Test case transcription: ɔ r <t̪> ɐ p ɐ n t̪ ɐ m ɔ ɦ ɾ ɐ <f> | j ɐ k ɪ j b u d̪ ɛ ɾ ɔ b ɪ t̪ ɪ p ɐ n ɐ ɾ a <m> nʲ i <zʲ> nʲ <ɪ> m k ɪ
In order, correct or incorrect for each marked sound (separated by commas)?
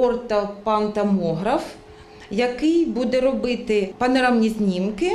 correct, correct, correct, correct, incorrect